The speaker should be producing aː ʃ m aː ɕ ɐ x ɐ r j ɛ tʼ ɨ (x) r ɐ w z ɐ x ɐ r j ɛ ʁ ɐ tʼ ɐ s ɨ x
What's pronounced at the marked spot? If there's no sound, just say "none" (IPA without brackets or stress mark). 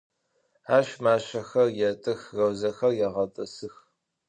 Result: x